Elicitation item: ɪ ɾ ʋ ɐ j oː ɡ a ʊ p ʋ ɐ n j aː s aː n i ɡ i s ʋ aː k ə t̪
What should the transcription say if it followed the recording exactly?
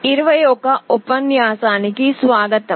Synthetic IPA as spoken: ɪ ɾ ʋ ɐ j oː k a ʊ p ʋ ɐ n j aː s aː n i k i s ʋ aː ɡ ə t̪

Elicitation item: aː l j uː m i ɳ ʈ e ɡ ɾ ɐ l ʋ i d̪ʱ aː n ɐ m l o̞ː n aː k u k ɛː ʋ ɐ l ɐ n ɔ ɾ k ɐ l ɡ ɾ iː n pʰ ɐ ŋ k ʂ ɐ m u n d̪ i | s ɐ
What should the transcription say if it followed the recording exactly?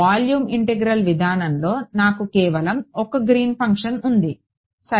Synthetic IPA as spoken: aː l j uː m i ɳ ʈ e ɡ ɾ ɐ l ʋ i d̪ʱ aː n ɐ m l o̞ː n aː k u k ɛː ʋ ɐ l ɐ m ɔ k ɐ ɡ ɾ iː n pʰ ɐ ŋ k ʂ ɐ n u n d̪ i | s ɐ

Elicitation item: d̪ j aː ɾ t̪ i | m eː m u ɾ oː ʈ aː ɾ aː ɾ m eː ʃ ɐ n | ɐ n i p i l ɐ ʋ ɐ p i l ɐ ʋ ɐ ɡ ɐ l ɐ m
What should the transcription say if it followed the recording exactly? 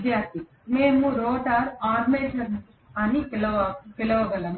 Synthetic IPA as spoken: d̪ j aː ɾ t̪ i | m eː m u ɾ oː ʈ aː ɾ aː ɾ m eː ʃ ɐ n | ɐ n i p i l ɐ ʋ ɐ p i l ɐ ʋ ɐ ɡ ɐ l ɐ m

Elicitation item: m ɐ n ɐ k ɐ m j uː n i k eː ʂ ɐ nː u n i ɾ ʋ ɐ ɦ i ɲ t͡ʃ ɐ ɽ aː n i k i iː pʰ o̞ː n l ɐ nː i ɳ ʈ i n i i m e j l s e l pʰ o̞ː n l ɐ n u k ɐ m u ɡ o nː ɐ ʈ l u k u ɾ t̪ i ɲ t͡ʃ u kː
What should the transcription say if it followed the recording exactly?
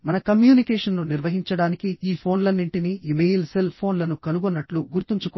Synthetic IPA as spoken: m ɐ n ɐ k ɐ m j uː n i k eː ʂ ɐ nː u n i ɾ ʋ ɐ ɦ i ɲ t͡ʃ ɐ ɽ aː n i k i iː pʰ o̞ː n l ɐ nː i ɳ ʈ i n i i m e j l s e l pʰ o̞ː n l ɐ n u k ɐ n u ɡ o nː ɐ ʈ l u ɡ u ɾ t̪ i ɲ t͡ʃ u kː

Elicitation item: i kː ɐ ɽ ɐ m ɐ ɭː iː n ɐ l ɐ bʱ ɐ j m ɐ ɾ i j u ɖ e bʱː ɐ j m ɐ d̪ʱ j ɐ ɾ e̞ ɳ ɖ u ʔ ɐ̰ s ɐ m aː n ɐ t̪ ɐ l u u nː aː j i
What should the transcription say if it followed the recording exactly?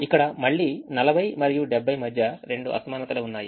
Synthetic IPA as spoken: i kː ɐ ɽ ɐ m ɐ ɭː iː n ɐ l ɐ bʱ ɐ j m ɐ ɾ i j u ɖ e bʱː ɐ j m ɐ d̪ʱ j ɐ ɾ e̞ ɳ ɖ u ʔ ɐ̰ s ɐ m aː n ɐ t̪ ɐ l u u nː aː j i

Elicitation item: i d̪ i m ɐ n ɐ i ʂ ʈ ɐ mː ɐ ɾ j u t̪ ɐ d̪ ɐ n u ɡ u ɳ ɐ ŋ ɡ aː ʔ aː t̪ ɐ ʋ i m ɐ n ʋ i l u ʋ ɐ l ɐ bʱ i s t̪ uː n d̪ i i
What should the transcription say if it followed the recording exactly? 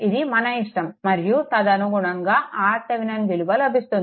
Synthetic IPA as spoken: i d̪ i m ɐ n ɐ i ʂ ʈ ɐ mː ɐ ɾ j u t̪ ɐ d̪ ɐ n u ɡ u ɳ ɐ ŋ ɡ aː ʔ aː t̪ ɐ ʋ i n ɐ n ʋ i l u ʋ ɐ l ɐ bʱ i s t̪ u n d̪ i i

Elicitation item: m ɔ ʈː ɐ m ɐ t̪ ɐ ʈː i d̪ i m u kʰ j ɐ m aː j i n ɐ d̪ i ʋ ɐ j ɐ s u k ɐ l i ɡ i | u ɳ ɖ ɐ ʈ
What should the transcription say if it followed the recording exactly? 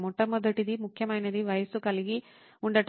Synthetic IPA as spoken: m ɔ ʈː ɐ m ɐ d̪ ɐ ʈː i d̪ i m u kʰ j ɐ m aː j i n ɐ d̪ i ʋ ɐ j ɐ s u k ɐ l i ɡ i | u ɳ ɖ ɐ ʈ

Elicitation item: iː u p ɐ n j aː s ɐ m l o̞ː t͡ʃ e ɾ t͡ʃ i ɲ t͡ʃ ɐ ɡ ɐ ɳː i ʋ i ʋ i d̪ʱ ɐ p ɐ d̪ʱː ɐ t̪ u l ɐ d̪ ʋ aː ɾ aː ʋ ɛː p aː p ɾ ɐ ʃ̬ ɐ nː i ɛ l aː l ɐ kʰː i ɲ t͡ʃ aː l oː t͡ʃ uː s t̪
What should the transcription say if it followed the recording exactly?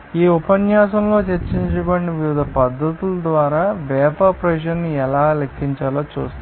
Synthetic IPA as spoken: iː u p ɐ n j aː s ɐ m l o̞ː t͡ʃ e ɾ t͡ʃ i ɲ t͡ʃ ɐ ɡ ɐ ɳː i ʋ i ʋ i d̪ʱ ɐ p ɐ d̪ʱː ɐ t̪ u l ɐ d̪ ʋ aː ɾ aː ʋ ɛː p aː p ɾ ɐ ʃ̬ ɐ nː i ɛ l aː l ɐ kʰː i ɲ t͡ʃ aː l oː t͡ʃ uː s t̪

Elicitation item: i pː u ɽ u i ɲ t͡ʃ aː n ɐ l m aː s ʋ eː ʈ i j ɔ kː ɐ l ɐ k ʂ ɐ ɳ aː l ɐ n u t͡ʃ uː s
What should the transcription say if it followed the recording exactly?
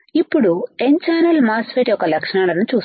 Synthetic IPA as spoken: i pː u ɽ u e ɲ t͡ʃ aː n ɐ l m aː s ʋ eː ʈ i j ɔ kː ɐ l ɐ k ʂ ɐ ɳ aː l ɐ n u t͡ʃ uː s

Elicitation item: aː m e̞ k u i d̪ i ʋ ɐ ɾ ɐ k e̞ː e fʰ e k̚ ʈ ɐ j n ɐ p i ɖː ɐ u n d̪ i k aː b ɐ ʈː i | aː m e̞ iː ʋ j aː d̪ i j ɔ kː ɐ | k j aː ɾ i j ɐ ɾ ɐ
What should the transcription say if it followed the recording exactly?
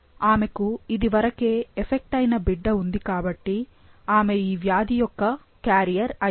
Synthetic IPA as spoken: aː m e̞ k u i d̪ i ʋ ɐ ɾ ɐ k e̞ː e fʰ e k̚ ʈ ɐ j n ɐ b i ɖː ɐ u n d̪ i k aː b ɐ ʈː i | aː m e̞ iː ʋ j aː d̪ i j ɔ kː ɐ | k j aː ɾ i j ɐ ɾ ɐ

